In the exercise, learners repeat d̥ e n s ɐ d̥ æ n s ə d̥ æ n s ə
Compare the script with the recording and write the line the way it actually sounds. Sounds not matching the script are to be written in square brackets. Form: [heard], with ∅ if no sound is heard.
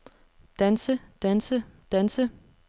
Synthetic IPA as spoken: d̥ [æ] n s [ə] d̥ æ n s ə d̥ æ n s ə